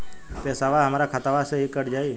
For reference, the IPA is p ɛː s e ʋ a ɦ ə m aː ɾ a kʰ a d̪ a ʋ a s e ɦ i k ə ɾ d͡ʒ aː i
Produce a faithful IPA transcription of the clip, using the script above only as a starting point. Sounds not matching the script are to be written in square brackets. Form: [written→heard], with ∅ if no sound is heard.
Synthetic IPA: p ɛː s [e→a] ʋ a ɦ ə m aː ɾ a kʰ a [d̪→t̪] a ʋ a s e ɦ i k ə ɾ d͡ʒ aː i